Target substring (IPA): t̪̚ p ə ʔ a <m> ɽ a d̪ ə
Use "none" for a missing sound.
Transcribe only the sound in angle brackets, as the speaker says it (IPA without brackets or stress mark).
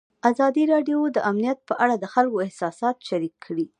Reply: none